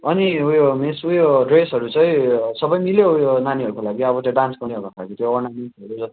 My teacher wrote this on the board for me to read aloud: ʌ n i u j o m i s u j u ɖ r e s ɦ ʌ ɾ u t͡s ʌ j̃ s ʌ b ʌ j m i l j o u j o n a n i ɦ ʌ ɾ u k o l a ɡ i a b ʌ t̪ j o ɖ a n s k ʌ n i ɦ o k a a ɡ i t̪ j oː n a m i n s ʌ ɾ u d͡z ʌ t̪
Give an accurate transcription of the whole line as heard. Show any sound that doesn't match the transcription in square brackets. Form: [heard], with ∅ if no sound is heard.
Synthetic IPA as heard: ʌ n i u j o m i s u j [o] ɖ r e s ɦ ʌ ɾ u t͡s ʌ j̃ s ʌ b ʌ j m i l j o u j o n a n i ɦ ʌ ɾ u k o l a ɡ i [ʌ] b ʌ t̪ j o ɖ a n s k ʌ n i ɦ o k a a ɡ i t̪ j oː n a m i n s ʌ ɾ u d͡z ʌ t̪